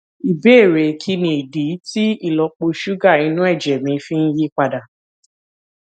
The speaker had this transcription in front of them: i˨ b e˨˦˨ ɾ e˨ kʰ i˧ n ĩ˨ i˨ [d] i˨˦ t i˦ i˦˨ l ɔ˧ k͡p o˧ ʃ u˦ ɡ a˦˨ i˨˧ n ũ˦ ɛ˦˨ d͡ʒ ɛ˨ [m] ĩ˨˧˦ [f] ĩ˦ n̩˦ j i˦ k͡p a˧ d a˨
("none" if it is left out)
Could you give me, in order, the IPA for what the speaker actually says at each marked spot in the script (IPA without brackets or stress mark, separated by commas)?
d, m, f